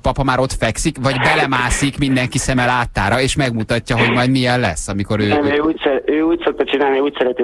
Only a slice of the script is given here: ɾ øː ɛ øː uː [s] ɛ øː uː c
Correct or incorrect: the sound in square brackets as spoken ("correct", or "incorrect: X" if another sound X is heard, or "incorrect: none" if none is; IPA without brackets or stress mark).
correct